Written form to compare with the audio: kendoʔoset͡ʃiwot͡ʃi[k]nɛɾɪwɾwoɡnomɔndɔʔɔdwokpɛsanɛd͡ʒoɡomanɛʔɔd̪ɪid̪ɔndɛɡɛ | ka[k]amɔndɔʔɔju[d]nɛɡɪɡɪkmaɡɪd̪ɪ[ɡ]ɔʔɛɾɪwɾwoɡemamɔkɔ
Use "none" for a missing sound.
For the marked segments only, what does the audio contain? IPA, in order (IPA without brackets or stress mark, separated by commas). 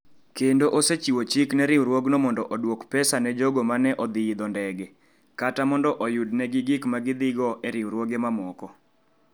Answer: k, t, d, ɡ